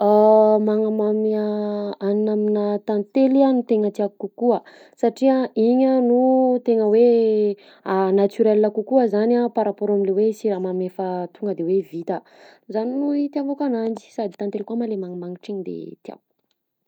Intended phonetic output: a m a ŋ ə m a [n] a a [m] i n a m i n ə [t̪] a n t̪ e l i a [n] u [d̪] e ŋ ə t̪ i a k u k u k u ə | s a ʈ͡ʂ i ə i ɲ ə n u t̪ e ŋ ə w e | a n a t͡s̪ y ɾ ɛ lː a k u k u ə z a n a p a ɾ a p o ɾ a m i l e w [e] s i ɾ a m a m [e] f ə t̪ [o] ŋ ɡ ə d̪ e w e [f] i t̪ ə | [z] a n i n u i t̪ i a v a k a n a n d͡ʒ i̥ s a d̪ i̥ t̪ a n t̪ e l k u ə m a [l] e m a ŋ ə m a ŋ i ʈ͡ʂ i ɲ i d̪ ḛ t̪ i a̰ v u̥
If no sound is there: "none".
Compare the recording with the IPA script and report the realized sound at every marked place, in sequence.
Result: m, n, t̪, n, t̪, e, e, u, v, z, l

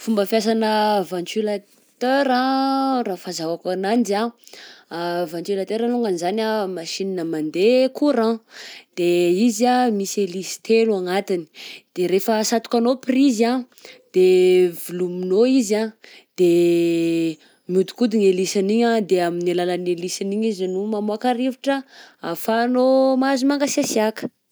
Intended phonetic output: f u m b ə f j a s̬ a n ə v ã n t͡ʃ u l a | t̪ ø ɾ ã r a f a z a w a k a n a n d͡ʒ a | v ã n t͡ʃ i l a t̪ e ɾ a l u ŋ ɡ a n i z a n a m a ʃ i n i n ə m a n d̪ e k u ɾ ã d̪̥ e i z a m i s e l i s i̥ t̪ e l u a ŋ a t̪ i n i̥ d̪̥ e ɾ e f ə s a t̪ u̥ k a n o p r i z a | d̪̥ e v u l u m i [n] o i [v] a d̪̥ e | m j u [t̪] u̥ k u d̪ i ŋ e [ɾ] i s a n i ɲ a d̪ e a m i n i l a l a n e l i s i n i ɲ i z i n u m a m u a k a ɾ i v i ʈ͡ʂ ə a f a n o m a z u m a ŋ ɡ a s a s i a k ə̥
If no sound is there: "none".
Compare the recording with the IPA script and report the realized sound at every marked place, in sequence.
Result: n, z, d̪, l

